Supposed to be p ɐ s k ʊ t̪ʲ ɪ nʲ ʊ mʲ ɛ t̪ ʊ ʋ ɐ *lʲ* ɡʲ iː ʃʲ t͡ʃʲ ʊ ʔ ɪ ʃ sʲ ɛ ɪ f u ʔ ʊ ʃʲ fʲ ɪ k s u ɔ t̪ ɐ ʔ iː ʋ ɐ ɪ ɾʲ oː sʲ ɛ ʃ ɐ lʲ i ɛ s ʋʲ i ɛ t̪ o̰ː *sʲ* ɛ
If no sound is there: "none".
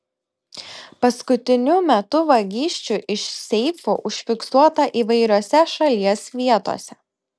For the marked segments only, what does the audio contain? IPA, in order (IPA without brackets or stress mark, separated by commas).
none, sʲ